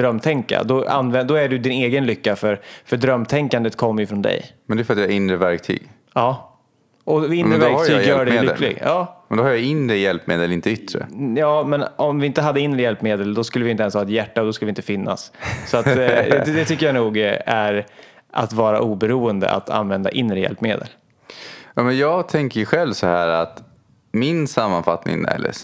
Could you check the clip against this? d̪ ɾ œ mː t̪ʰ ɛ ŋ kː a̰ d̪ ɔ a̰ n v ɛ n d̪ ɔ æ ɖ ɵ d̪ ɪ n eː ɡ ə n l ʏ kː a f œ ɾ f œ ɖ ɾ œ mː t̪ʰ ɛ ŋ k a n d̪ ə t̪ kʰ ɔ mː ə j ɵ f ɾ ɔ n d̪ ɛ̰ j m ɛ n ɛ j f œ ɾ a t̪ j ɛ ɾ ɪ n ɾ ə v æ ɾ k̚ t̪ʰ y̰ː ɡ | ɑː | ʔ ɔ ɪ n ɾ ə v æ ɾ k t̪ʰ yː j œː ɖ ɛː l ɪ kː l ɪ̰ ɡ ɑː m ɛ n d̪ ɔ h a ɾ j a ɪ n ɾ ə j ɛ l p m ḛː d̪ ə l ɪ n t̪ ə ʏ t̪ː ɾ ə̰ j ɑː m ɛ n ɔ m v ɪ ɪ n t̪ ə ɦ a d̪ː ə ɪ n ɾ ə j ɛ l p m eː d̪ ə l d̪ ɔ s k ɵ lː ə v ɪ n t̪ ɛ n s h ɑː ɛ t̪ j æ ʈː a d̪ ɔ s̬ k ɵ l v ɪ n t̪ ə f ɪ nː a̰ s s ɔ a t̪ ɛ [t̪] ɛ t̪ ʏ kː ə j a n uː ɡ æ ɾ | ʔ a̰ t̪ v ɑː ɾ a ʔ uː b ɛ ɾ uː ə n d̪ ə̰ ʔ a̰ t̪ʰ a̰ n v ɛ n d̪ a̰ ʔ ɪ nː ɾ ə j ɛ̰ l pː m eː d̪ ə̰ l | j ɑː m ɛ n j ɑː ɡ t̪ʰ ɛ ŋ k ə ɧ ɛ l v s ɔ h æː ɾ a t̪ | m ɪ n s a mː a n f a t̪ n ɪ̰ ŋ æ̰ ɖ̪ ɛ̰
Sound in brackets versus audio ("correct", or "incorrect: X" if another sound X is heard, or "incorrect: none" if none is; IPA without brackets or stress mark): incorrect: d̪